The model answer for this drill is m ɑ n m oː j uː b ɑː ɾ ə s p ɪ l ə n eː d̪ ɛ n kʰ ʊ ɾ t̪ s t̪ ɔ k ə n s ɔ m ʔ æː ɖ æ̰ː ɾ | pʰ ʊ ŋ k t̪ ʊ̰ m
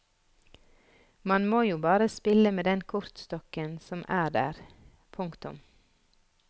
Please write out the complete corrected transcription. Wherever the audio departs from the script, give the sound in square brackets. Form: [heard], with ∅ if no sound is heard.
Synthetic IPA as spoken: m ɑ n m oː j uː b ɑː ɾ ə s p ɪ l ə [m] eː d̪ ɛ n kʰ ʊ ɾ t̪ s t̪ ɔ k ə n s ɔ m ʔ æː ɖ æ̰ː ɾ | pʰ ʊ ŋ k t̪ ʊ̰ m